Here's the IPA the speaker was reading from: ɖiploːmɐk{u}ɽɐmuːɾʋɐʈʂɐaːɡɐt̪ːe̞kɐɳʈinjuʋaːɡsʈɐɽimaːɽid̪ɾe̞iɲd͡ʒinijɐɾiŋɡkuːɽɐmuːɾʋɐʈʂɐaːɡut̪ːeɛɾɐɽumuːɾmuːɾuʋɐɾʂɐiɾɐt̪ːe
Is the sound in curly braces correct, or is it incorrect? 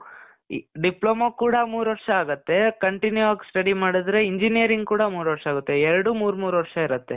incorrect